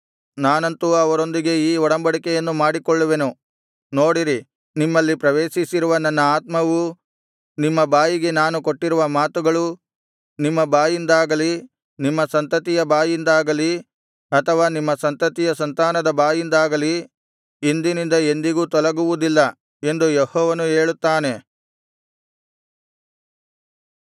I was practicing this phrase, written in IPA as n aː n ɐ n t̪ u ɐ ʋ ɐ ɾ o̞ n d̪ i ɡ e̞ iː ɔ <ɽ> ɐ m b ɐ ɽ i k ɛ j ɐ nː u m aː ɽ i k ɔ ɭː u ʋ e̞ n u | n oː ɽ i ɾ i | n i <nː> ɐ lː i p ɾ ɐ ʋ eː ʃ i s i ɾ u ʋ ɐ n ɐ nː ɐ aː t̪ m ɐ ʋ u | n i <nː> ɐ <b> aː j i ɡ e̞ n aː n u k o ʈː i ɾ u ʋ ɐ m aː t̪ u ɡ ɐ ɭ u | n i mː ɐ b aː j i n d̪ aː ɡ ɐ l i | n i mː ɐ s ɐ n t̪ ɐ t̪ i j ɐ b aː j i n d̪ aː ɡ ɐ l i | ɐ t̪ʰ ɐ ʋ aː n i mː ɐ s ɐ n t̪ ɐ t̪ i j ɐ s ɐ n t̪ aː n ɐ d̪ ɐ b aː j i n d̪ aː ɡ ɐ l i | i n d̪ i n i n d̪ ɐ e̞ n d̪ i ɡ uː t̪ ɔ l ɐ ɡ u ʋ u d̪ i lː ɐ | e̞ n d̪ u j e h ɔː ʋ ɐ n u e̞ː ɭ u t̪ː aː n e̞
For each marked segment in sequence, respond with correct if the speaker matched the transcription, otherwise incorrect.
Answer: correct, incorrect: mː, incorrect: mː, correct

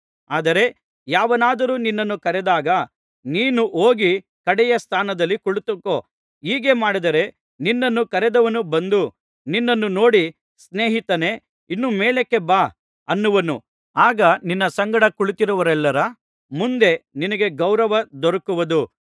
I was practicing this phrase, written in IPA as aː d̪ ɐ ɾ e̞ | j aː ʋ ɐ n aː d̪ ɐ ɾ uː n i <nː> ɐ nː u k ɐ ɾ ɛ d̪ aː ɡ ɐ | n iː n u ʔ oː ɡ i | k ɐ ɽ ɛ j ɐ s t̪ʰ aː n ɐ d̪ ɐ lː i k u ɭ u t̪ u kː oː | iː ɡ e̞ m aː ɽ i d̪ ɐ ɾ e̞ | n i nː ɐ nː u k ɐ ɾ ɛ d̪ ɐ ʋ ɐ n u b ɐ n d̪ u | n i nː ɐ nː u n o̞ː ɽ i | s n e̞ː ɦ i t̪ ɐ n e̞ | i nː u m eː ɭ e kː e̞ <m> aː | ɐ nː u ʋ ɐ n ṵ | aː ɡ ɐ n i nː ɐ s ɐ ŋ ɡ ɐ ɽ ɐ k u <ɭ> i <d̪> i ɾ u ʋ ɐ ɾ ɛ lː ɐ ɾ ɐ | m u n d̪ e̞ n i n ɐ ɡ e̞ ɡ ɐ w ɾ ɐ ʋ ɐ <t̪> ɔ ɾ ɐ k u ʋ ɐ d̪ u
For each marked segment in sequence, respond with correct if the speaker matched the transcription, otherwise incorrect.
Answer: correct, incorrect: b, correct, incorrect: t̪, incorrect: d̪

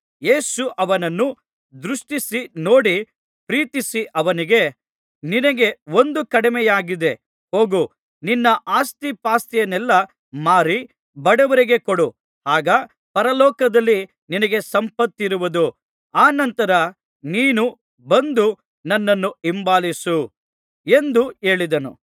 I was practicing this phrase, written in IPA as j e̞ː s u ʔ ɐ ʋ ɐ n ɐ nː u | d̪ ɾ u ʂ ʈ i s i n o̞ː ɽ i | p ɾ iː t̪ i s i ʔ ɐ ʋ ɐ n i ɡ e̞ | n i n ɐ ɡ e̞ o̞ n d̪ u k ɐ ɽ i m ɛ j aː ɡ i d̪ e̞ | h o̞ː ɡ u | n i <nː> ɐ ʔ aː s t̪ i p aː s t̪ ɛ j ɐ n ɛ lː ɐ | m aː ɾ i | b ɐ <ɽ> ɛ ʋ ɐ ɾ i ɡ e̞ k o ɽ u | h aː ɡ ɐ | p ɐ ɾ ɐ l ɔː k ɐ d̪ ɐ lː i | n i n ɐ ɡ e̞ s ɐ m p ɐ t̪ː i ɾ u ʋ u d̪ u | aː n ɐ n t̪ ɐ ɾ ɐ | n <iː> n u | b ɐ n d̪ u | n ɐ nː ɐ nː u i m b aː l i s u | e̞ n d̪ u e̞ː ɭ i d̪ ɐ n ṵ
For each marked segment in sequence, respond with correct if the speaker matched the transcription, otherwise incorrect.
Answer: correct, correct, correct

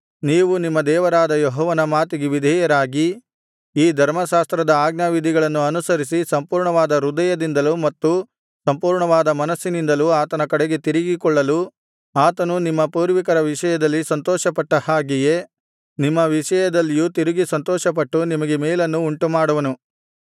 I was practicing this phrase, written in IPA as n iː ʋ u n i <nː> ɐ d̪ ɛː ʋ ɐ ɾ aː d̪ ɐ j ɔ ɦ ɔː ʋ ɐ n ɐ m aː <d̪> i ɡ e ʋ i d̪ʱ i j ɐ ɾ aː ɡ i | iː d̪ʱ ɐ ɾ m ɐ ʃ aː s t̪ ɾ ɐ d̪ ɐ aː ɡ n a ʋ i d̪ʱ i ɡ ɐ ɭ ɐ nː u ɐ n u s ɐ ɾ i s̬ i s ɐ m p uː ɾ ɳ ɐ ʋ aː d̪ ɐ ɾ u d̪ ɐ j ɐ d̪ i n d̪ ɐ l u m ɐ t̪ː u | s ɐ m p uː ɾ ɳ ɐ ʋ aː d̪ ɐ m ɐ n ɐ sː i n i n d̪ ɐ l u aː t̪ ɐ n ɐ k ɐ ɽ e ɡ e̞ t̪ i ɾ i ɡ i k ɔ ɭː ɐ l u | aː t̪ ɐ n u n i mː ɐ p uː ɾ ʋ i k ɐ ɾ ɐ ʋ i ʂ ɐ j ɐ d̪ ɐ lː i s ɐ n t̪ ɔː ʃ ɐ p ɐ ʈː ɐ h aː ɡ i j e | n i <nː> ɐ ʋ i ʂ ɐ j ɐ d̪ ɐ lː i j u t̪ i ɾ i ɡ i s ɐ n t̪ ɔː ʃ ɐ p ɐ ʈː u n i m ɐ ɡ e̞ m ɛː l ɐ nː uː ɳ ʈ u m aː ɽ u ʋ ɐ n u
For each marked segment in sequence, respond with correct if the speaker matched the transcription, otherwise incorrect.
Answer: incorrect: mː, incorrect: t̪, incorrect: mː

